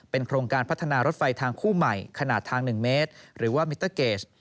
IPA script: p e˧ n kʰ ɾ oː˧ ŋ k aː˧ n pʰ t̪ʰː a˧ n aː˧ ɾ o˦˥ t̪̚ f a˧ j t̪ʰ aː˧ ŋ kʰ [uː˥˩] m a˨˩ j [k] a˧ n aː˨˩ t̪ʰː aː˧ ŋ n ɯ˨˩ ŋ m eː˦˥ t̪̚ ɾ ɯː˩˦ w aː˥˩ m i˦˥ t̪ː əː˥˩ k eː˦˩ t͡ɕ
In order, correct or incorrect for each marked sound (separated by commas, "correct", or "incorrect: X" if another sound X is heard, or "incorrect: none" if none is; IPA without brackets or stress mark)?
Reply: correct, incorrect: kʰ